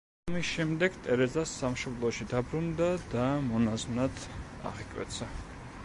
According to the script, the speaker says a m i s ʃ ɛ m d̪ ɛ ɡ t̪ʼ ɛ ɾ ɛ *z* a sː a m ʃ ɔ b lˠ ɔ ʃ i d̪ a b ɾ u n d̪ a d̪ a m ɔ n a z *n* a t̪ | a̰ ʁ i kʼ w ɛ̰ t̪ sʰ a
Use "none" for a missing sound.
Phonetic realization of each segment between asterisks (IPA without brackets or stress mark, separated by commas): z, n